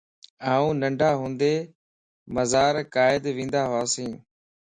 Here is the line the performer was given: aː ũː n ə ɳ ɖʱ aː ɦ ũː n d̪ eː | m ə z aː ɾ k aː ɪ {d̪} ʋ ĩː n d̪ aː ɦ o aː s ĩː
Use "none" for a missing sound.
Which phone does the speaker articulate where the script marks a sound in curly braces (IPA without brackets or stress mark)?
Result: d̪